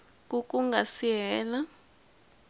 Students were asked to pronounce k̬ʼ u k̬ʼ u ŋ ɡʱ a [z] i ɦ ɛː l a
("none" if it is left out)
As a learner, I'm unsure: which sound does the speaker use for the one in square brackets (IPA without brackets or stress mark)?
s